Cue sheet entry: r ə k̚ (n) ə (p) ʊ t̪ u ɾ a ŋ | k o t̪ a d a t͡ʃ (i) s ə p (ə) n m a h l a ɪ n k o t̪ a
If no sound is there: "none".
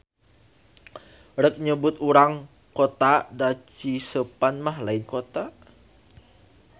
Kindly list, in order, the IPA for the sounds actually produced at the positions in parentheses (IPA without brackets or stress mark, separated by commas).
ɲ, b, i, a